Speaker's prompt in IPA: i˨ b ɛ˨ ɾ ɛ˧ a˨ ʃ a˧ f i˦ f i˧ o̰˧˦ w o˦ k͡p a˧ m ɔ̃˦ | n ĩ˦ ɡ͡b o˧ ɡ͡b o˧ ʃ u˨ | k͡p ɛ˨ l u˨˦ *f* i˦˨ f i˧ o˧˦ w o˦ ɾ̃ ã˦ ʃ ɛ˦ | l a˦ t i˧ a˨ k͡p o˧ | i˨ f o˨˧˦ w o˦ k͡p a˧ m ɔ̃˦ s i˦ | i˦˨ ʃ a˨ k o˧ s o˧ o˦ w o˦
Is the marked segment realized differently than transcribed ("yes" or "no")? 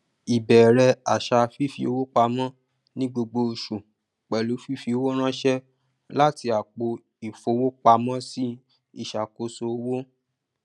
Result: no